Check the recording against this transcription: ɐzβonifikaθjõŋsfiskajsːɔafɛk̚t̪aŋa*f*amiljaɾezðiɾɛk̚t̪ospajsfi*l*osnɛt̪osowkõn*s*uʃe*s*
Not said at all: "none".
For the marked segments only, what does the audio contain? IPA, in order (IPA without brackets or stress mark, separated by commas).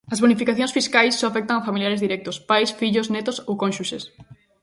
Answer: f, ʎ, ʃ, s